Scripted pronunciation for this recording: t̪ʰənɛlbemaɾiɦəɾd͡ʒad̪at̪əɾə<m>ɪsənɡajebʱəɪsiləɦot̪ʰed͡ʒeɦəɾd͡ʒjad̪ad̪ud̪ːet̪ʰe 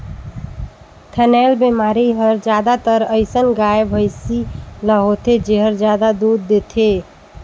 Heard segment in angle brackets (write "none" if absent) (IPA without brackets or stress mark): none